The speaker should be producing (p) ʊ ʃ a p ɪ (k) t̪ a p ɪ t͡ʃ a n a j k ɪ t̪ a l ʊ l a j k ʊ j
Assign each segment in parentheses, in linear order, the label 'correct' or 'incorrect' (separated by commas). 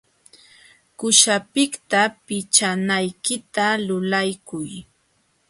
incorrect, correct